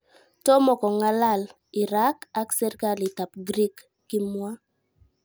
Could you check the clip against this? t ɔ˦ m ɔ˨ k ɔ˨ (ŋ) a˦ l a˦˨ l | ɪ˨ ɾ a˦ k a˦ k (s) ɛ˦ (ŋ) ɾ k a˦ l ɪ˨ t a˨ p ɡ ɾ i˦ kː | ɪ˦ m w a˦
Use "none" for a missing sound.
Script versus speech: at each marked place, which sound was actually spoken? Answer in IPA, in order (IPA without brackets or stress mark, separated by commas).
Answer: ŋ, s, none